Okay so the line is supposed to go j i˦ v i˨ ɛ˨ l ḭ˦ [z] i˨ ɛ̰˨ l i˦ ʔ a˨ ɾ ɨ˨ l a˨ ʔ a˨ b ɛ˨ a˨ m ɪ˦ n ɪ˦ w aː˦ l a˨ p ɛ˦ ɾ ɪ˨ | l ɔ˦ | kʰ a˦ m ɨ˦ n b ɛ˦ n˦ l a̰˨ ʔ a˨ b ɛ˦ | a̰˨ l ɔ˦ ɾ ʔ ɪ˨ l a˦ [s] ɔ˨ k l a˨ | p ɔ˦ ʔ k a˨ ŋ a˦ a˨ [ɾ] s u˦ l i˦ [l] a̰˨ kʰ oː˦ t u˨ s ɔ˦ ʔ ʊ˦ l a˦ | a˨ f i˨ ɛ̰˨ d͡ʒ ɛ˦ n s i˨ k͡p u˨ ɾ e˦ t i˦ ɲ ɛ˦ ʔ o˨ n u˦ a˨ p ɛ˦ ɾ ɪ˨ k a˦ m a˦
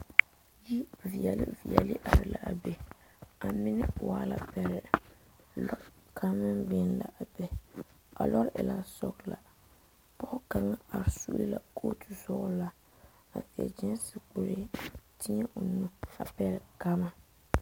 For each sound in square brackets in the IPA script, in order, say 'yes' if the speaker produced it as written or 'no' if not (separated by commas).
no, yes, yes, yes